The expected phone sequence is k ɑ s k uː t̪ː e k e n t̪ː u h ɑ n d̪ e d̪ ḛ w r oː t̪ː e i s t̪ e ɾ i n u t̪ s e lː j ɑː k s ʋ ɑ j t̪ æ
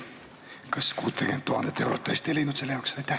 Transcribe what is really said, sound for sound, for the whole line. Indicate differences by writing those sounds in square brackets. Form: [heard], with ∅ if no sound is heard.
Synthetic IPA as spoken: k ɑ s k uː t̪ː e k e n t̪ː u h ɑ n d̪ e [t̪] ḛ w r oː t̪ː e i s t̪ e [l] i n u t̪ s e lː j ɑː k s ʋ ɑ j t̪ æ